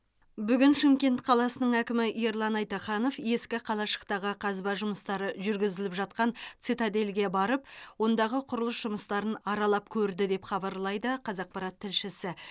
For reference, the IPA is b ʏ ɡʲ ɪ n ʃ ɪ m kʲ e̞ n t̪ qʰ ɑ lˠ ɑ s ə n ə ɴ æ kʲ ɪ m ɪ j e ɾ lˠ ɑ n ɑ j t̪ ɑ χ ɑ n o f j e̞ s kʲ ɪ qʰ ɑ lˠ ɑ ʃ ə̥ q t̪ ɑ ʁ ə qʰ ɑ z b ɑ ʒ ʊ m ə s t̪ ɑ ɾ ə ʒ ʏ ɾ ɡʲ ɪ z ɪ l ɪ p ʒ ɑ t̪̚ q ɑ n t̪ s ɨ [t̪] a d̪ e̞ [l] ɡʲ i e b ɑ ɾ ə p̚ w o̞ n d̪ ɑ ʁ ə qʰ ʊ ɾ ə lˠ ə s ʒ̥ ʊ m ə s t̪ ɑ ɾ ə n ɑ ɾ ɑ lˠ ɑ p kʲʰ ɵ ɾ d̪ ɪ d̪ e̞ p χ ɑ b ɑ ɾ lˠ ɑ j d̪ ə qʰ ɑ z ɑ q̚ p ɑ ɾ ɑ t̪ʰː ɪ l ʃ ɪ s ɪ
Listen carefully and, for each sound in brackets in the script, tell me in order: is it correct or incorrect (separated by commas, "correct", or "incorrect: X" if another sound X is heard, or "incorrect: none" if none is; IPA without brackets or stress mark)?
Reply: correct, correct